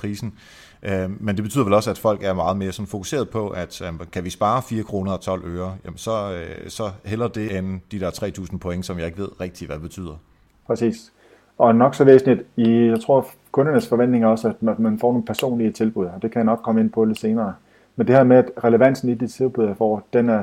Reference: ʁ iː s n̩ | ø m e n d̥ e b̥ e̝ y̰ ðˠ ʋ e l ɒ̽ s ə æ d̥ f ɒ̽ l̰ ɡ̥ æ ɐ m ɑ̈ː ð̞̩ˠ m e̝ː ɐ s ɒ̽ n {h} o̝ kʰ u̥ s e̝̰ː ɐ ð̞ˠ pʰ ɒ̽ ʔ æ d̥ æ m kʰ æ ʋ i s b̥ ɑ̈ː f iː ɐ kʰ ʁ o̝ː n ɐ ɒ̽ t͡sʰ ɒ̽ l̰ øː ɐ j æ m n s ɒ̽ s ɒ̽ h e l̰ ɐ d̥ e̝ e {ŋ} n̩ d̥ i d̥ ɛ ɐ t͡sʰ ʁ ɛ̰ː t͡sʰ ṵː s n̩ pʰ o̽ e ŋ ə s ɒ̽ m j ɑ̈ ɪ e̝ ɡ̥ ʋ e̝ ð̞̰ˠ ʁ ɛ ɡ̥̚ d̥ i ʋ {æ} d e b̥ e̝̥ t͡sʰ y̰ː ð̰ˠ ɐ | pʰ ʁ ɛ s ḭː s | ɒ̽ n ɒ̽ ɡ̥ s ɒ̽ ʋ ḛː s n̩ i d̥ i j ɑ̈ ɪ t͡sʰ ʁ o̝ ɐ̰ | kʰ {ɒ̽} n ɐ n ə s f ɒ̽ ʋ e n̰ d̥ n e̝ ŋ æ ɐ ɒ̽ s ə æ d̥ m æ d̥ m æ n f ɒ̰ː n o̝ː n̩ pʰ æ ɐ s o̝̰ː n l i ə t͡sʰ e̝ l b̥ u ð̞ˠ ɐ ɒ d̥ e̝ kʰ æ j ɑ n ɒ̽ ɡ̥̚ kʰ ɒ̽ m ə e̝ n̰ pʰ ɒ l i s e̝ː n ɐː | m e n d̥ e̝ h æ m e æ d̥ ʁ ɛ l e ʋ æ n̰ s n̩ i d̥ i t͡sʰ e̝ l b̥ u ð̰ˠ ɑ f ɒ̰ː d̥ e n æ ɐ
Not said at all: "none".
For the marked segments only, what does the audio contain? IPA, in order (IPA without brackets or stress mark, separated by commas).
f, n, æ, ɔ̽